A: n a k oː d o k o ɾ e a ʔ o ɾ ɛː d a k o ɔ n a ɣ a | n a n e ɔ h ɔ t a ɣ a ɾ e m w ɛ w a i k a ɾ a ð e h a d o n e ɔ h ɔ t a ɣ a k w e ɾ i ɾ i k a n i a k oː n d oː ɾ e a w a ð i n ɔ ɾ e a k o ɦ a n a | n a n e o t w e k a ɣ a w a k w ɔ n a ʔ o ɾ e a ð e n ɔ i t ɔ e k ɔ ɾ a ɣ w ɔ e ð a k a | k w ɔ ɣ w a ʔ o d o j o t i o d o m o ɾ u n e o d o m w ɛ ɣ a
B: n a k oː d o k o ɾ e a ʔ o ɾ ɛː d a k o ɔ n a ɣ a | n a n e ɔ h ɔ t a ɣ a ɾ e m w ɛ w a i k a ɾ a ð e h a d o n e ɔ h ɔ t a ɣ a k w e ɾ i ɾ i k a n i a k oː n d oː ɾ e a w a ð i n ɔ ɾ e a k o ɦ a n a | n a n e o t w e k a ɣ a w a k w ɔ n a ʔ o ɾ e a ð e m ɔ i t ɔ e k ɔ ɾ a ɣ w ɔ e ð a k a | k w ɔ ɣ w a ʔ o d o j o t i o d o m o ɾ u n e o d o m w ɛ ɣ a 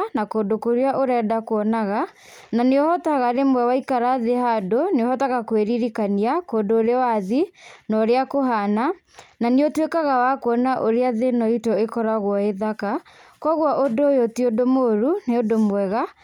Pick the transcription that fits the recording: A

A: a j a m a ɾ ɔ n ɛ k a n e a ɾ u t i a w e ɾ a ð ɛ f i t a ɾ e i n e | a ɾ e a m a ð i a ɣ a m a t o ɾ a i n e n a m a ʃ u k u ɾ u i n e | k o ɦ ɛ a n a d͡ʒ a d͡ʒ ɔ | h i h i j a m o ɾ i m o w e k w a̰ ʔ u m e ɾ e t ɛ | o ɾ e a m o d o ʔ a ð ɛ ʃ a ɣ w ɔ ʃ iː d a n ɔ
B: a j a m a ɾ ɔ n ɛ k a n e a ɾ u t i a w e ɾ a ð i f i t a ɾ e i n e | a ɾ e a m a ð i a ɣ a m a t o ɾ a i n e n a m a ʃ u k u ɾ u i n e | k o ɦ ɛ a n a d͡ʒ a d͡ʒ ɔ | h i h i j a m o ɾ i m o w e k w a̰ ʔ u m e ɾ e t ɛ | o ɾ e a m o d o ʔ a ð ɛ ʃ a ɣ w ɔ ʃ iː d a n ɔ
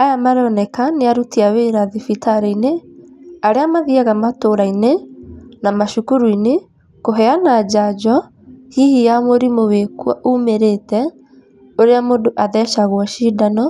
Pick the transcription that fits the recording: B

